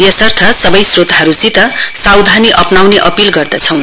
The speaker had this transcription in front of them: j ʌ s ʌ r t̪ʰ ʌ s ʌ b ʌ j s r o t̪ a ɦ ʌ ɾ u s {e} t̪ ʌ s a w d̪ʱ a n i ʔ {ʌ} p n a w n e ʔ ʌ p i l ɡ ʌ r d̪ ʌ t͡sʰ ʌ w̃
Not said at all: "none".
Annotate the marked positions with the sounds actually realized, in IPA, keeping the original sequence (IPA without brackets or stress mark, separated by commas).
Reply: i, ʌ